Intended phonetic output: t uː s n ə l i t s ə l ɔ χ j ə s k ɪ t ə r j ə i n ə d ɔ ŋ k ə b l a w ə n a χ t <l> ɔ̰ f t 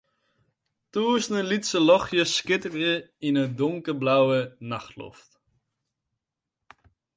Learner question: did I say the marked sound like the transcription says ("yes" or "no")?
yes